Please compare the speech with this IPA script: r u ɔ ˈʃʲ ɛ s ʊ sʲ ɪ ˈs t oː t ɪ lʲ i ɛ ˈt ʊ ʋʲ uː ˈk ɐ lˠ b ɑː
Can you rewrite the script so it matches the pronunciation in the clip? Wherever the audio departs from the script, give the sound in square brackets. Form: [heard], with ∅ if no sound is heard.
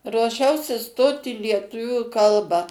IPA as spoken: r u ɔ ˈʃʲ ɛ [∅] ʊ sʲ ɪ ˈs t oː t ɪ lʲ i ɛ ˈt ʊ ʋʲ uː ˈk ɐ lˠ b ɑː